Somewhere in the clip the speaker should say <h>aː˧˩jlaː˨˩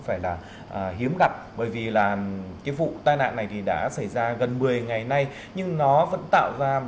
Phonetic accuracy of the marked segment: incorrect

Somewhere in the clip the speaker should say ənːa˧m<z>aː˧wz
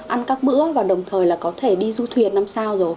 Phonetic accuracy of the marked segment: incorrect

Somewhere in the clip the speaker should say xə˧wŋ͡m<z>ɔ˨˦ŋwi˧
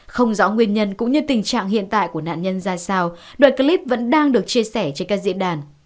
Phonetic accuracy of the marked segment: correct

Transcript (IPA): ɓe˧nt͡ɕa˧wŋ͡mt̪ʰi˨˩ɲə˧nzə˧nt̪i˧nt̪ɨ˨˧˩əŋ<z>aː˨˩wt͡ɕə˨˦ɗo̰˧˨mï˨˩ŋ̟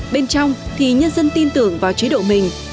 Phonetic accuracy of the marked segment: incorrect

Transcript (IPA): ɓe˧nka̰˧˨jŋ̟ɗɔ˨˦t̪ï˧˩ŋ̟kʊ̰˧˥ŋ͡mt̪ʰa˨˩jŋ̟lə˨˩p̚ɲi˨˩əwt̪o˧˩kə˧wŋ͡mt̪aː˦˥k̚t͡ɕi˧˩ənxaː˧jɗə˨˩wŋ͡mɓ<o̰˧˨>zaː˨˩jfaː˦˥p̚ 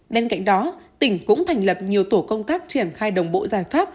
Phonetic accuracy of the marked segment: correct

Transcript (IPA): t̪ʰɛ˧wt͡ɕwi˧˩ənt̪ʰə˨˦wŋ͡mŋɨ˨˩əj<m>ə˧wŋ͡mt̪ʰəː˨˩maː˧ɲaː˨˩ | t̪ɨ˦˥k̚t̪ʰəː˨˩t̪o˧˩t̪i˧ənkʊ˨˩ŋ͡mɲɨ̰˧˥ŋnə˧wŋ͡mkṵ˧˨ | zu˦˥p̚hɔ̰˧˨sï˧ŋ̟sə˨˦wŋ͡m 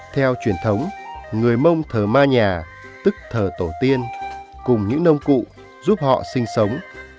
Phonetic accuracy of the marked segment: correct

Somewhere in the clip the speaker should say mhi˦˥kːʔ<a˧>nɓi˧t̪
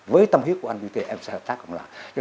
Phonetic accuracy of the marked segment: correct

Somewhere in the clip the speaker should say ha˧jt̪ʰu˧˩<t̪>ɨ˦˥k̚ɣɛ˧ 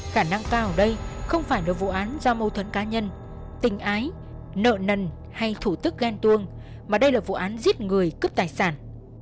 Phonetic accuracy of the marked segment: correct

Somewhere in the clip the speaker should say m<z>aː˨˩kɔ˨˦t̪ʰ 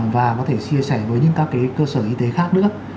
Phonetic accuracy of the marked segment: incorrect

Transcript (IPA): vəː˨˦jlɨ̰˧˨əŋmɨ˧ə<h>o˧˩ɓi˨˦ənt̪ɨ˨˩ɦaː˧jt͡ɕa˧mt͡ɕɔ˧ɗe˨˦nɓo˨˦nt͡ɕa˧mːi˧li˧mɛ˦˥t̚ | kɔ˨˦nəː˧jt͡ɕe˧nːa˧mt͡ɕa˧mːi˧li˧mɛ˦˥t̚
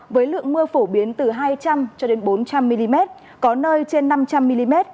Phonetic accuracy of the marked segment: incorrect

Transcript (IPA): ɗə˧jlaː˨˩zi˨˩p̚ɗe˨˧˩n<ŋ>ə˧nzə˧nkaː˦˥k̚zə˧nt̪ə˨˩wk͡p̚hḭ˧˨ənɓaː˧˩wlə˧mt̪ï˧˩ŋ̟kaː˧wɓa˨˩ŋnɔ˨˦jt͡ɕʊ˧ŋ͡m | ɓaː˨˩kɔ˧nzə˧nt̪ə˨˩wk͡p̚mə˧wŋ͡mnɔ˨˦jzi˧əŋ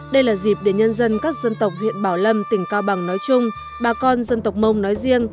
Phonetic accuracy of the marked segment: incorrect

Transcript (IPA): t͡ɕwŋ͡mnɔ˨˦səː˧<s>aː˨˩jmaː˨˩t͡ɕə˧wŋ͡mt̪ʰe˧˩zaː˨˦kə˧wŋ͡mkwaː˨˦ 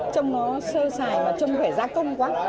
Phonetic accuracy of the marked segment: correct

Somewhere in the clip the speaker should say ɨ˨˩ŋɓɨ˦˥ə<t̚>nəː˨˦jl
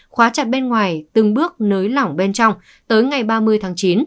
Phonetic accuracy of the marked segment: incorrect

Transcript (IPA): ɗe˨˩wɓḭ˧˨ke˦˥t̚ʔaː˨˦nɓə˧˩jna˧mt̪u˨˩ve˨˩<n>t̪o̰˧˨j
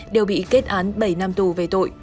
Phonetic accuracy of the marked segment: incorrect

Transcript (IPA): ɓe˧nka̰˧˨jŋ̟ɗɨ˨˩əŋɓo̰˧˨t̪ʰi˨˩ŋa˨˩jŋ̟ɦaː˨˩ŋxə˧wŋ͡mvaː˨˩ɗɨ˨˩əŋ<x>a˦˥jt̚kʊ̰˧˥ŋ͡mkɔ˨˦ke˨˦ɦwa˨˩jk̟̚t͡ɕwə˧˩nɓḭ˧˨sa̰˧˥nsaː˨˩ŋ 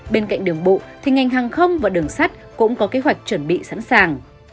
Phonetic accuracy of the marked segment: incorrect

